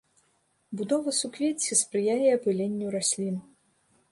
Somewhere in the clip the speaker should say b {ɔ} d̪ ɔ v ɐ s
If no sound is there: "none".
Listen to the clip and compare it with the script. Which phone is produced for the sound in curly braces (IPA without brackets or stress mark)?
u